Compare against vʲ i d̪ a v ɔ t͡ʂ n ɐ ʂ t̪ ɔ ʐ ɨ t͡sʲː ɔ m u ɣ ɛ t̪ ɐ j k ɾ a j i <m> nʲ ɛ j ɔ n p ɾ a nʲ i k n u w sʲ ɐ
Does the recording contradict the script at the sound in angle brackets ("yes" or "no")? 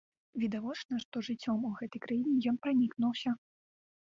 yes